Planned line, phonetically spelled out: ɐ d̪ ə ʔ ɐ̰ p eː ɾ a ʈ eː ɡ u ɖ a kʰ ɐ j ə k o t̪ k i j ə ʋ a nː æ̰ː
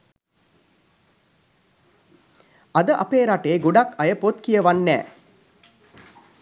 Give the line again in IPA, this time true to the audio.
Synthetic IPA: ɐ d̪ ə ʔ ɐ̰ p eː ɾ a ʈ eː ɡ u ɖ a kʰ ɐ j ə p o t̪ k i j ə ʋ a nː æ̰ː

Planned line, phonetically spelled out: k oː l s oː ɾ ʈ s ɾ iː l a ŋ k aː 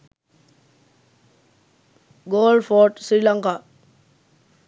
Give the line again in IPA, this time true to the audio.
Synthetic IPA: ɡ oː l f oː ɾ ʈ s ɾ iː l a ŋ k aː

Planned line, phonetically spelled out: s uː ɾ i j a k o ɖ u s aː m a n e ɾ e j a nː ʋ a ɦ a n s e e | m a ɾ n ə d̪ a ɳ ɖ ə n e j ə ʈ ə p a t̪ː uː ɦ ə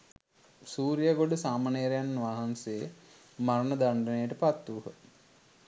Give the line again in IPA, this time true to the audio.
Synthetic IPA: s uː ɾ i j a ɡ o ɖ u s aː m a n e ɾ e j a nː ʋ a ɦ a n s e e | m a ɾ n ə d̪ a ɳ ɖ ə n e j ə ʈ ə p a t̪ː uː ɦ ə

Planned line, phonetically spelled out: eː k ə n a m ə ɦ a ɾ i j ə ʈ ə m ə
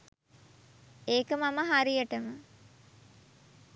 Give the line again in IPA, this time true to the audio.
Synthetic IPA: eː k ə m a m ə ɦ a ɾ i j ə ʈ ə m ə

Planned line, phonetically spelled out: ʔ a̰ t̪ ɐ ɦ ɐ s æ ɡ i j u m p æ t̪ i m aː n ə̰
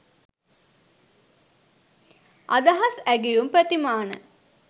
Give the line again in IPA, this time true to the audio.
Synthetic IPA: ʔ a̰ d̪ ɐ ɦ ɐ s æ ɡ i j u m p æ t̪ i m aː n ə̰

